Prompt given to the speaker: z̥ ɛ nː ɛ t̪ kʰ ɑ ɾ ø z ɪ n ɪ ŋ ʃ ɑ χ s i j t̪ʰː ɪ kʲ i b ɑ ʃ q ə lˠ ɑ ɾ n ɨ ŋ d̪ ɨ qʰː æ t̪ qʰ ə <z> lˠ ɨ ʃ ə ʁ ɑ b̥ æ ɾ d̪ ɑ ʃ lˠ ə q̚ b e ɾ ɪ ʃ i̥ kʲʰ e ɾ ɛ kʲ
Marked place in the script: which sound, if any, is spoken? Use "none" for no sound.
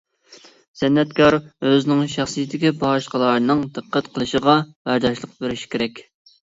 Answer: none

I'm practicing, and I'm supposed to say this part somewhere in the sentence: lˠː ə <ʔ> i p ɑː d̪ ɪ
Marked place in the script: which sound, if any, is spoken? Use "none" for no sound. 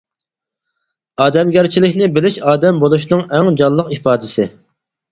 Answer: q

